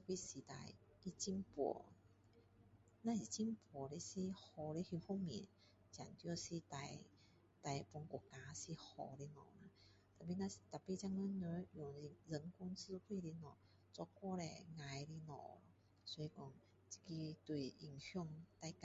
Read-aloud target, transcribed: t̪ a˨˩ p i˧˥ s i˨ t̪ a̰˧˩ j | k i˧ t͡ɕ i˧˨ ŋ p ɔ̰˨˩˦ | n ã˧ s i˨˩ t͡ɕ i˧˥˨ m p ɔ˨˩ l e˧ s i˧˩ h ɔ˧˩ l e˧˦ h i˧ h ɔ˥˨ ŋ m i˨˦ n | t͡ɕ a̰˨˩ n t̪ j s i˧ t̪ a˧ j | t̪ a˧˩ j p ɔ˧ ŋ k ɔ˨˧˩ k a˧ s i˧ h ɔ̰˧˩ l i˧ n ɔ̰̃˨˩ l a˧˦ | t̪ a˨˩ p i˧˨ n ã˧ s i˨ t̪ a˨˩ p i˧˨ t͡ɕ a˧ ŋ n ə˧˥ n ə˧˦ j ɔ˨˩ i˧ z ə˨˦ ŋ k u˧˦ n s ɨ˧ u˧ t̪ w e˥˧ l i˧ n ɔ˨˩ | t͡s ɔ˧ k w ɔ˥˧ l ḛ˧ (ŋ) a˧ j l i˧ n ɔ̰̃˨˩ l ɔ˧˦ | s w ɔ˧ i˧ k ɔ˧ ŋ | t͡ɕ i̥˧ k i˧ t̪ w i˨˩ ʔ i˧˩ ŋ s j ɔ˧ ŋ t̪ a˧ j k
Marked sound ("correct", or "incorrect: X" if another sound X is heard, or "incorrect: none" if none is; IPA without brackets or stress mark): correct